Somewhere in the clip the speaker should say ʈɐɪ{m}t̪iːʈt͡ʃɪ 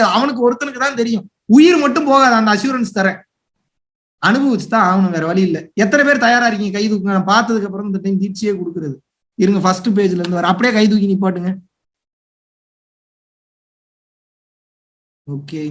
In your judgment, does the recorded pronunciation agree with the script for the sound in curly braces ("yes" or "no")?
yes